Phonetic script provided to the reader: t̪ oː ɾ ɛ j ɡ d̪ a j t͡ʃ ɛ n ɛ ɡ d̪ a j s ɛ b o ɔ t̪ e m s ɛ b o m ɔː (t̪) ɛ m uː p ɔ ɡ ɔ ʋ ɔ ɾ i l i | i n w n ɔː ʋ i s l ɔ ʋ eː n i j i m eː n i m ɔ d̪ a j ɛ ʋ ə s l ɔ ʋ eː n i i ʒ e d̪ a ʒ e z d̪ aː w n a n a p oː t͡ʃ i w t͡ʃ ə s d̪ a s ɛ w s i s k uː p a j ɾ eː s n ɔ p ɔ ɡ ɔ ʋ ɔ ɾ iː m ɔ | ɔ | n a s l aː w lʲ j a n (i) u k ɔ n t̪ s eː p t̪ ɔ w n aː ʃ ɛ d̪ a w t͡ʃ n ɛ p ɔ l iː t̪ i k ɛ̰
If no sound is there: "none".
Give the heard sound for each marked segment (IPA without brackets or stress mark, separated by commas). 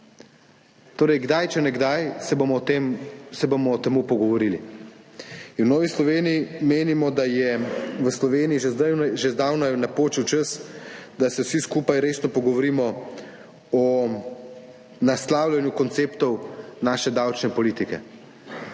t̪, j